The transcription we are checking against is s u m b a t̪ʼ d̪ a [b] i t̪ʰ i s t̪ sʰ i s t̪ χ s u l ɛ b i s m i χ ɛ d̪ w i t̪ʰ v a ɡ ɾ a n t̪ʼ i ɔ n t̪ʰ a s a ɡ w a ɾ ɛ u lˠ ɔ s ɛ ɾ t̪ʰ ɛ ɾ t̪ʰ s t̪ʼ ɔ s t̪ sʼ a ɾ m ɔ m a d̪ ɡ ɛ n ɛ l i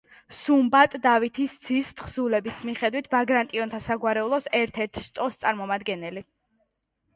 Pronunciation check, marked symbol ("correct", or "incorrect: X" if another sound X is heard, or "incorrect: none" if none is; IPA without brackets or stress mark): incorrect: v